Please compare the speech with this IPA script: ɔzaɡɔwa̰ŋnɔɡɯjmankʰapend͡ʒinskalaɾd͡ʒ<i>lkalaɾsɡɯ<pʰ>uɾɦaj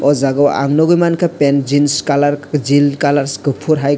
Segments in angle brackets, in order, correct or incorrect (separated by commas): correct, correct